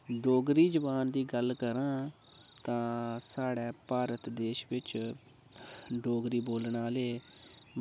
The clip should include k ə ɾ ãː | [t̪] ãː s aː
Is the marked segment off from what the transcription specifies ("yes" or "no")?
no